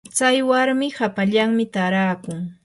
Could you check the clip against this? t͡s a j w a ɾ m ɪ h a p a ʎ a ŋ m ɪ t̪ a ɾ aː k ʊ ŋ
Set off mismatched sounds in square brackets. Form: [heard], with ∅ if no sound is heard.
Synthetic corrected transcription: t͡s a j w a ɾ m ɪ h a p a ʎ a ŋ m ɪ t̪ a ɾ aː k ʊ ŋ